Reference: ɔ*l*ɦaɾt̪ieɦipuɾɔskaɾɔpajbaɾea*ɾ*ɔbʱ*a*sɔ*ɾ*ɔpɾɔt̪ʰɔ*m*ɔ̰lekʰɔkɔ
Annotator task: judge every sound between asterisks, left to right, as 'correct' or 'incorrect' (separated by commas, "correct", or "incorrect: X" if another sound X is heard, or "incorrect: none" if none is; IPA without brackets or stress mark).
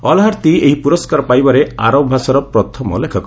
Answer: correct, correct, correct, correct, correct